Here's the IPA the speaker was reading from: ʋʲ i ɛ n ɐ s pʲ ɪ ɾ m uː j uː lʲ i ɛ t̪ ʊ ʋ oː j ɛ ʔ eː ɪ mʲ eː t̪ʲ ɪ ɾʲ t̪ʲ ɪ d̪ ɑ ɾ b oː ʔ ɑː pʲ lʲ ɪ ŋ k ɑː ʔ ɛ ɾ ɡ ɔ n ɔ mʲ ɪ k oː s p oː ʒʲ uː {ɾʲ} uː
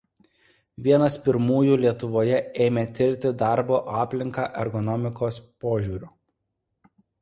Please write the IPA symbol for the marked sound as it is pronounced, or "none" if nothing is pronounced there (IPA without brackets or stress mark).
ɾʲ